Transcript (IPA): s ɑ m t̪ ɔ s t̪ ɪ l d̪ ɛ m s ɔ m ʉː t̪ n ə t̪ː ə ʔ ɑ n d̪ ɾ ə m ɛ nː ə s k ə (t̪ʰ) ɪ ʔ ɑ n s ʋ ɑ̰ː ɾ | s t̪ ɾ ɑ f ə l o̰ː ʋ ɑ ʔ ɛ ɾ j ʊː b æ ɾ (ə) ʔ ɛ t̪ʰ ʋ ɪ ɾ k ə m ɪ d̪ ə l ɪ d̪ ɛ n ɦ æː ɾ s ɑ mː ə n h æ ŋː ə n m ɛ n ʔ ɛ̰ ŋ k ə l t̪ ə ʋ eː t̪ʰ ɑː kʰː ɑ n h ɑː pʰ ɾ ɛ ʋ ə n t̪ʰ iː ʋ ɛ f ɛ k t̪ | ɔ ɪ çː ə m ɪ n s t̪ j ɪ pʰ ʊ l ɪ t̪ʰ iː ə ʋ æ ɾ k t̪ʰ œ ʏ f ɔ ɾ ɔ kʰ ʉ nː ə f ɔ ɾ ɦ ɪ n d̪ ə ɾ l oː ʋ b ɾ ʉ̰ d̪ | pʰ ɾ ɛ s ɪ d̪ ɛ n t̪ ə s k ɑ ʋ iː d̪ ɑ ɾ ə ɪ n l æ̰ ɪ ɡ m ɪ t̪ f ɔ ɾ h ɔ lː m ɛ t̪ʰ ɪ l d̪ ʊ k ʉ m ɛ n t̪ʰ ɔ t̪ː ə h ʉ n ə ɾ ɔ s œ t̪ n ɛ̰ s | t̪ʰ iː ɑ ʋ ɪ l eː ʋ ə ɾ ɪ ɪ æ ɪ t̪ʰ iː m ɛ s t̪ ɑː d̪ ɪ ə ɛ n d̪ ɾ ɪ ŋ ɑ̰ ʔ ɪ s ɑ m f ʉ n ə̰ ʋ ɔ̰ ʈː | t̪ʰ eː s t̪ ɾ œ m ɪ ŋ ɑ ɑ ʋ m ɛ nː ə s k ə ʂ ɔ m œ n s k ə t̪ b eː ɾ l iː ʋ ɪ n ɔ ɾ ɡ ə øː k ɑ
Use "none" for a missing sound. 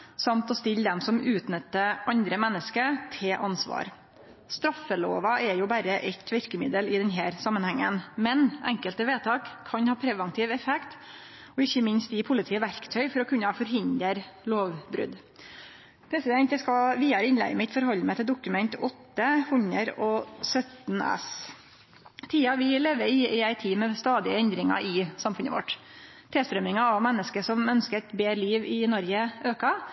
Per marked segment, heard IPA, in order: t̪ʰ, ə

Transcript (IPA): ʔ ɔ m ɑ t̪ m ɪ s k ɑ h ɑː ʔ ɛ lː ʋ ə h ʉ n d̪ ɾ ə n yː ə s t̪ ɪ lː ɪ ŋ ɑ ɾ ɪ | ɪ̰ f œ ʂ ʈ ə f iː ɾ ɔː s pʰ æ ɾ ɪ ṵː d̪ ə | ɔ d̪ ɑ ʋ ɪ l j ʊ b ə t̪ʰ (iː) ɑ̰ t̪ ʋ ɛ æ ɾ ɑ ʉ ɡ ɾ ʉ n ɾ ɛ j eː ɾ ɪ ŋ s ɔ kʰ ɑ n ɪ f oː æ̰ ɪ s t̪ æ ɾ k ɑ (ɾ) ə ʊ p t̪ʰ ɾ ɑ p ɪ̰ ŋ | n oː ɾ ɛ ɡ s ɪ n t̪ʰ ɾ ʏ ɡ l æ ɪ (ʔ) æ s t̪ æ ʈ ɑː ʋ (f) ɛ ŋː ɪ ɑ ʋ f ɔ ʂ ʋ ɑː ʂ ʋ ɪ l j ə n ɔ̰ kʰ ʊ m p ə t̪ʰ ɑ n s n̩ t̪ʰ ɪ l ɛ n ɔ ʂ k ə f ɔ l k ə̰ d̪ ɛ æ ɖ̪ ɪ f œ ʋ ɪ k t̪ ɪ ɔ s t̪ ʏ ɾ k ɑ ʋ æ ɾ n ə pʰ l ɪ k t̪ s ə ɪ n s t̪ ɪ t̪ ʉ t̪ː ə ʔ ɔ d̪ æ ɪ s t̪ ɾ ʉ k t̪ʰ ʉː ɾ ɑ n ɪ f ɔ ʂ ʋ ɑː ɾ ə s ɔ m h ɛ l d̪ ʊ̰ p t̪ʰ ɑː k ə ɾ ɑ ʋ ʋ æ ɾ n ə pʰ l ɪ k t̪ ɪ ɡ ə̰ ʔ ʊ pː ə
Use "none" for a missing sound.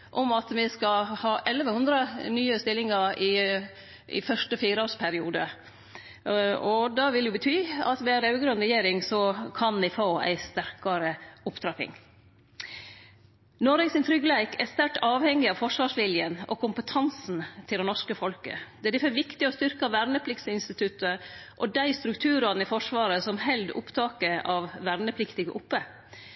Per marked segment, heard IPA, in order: yː, ɾ, k, h

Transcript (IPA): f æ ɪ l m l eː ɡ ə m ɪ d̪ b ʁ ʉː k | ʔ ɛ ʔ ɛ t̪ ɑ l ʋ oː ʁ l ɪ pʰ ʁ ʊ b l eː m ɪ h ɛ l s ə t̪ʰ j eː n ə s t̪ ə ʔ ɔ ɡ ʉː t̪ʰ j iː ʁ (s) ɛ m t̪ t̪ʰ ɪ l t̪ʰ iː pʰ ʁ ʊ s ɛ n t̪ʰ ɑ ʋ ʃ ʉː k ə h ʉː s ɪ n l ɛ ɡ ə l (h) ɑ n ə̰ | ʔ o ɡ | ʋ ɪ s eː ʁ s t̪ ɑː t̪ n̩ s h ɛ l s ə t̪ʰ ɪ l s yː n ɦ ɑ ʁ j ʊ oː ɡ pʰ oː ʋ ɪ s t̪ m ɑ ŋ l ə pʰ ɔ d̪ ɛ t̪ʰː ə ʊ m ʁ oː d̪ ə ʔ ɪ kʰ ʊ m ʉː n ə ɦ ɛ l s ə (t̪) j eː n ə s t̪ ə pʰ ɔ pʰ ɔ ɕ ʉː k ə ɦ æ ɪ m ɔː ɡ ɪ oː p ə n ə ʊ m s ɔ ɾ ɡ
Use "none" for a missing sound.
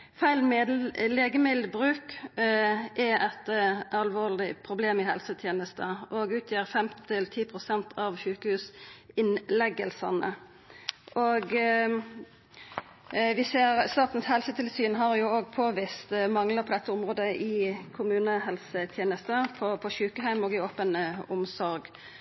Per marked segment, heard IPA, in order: f, s, t̪ʰ

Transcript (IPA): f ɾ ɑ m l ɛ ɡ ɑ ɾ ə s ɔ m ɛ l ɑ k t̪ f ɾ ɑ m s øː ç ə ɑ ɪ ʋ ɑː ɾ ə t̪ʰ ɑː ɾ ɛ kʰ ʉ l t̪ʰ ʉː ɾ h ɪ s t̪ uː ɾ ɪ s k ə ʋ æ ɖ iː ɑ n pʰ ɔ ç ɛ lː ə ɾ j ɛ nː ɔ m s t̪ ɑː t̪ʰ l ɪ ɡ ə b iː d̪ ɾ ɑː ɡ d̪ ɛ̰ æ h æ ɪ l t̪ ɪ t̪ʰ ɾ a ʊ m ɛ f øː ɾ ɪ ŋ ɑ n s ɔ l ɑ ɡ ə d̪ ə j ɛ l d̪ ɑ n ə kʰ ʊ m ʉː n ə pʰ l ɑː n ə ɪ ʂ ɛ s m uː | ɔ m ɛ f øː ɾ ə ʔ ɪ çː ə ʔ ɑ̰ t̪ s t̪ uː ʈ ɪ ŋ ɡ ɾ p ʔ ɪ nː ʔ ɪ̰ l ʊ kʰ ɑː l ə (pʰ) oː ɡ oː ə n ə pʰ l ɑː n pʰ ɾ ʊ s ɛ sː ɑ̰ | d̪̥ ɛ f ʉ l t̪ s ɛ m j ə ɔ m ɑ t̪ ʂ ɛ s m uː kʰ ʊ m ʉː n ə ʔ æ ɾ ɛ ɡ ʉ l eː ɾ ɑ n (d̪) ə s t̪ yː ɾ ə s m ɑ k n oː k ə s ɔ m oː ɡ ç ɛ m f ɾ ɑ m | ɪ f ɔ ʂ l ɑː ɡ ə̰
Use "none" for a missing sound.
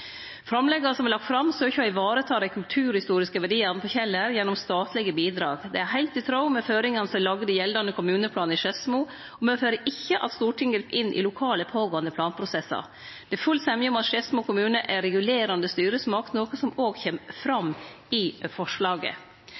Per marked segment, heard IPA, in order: pʰ, d̪

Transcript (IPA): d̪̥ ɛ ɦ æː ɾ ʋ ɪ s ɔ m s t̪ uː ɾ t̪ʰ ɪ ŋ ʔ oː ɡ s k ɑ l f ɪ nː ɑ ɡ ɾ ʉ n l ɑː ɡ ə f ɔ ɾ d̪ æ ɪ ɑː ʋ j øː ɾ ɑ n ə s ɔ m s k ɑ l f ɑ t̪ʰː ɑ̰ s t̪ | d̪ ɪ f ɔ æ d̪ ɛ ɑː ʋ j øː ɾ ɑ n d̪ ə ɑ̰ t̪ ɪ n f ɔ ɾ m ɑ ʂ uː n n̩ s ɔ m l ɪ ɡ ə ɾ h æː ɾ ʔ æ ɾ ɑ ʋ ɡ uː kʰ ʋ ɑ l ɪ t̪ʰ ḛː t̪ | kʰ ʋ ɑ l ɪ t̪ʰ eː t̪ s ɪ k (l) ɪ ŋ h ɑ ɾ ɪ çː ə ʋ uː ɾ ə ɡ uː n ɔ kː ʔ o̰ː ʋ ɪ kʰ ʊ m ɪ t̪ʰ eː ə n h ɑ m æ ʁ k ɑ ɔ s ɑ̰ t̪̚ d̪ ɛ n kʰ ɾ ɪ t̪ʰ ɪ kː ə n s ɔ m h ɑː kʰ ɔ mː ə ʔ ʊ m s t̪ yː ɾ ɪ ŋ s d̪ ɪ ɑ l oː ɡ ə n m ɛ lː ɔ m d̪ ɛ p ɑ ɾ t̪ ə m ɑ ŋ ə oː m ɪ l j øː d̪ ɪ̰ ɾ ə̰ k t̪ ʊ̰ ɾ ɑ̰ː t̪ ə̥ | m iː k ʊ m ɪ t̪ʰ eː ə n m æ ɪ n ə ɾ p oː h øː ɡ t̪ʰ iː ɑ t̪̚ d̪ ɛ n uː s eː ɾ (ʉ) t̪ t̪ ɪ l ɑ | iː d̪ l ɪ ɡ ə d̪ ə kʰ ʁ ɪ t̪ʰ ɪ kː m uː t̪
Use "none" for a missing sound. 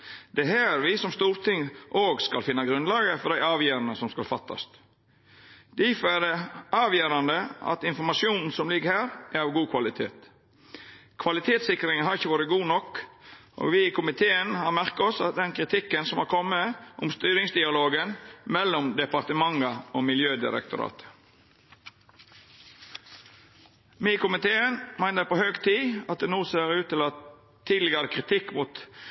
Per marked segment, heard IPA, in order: ɾ, ʉː

